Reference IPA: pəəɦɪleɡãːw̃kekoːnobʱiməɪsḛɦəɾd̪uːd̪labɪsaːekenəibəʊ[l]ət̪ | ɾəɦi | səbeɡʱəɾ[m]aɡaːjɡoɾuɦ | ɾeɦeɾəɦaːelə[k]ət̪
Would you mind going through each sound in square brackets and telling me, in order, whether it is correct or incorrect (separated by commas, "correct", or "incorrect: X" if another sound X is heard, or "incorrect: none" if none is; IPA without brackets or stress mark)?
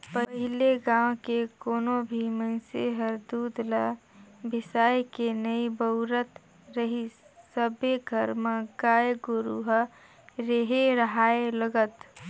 incorrect: ɾ, correct, incorrect: ɡ